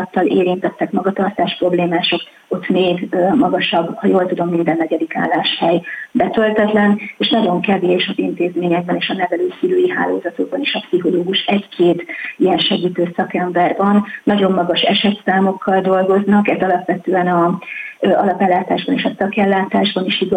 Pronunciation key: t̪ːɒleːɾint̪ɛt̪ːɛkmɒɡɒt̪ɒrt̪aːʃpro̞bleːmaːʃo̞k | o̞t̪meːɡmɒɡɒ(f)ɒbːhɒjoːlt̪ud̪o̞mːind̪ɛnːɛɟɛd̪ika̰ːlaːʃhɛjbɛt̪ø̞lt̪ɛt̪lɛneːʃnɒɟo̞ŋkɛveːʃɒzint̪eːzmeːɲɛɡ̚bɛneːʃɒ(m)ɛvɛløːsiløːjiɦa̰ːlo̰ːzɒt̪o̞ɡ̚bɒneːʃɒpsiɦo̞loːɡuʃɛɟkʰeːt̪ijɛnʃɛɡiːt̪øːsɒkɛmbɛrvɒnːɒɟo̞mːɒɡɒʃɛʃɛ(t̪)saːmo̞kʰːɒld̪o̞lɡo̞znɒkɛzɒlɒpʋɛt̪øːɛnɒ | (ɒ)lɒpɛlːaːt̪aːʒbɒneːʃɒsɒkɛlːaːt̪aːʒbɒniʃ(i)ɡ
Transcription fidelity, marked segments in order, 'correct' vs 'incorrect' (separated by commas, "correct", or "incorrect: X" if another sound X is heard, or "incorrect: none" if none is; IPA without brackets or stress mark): incorrect: ʃ, incorrect: n, correct, correct, correct